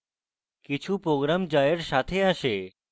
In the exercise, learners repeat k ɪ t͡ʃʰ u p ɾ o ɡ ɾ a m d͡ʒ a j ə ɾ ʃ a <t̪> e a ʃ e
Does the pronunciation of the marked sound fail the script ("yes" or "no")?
yes